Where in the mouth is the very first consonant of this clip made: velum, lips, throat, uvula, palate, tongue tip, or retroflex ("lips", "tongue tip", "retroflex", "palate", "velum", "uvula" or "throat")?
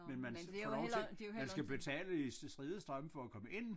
lips